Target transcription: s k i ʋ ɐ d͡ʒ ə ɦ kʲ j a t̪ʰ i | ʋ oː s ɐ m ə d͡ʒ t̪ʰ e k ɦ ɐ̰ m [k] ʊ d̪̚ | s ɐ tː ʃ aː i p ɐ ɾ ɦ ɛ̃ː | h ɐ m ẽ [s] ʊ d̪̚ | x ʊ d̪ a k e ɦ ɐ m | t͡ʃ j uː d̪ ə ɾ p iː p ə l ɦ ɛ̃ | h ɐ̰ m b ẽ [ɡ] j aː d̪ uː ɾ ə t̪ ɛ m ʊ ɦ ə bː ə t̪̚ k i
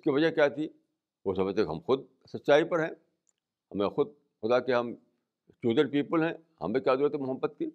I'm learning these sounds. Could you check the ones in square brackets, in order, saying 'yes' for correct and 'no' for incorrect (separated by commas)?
no, no, no